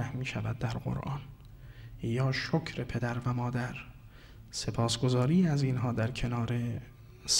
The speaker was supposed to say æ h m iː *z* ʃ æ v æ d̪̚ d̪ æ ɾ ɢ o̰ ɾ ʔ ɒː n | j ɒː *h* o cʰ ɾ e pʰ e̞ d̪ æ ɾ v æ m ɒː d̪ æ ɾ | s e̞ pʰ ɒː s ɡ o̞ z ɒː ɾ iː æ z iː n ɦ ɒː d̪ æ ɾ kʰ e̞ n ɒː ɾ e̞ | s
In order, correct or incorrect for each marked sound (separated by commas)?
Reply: incorrect, incorrect